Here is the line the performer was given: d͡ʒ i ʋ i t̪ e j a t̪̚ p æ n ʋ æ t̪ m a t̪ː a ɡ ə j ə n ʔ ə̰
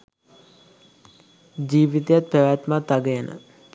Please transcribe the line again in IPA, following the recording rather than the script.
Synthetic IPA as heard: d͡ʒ iː ʋ i t̪ e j a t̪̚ p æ ʋ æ t̪ m a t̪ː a ɡ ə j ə n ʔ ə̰